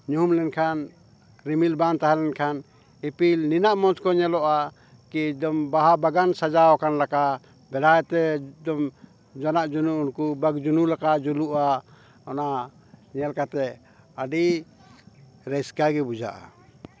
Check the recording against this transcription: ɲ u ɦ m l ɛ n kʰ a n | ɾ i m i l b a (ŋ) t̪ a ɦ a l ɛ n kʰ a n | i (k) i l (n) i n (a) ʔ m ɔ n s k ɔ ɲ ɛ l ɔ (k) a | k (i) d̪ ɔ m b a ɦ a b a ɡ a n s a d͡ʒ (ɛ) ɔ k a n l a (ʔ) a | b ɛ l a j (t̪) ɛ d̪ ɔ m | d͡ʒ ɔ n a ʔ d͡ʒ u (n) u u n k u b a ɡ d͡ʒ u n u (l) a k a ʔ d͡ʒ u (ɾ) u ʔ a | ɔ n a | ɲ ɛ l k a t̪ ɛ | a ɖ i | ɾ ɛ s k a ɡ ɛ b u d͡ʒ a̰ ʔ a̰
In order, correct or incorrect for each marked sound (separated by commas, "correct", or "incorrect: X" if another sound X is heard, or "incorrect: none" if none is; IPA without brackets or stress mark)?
incorrect: n, incorrect: p, correct, correct, incorrect: ʔ, correct, incorrect: a, incorrect: k, correct, correct, correct, incorrect: l